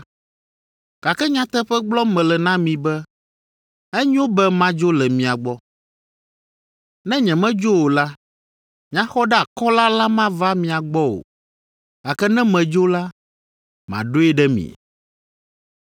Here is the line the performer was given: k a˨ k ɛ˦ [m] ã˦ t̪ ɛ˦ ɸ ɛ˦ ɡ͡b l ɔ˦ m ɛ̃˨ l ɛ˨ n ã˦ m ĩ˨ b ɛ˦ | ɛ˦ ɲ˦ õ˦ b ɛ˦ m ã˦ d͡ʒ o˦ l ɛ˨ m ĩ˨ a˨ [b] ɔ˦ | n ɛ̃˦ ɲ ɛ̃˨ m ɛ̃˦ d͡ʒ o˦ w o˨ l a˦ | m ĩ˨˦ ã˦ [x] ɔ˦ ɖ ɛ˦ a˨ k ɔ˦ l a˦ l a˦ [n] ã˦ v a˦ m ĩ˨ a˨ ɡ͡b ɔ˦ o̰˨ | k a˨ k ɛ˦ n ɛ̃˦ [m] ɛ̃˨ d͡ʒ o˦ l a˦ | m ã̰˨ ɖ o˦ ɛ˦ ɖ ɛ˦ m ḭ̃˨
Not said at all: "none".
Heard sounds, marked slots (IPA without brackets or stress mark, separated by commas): ɲ, ɡ͡b, x, m, m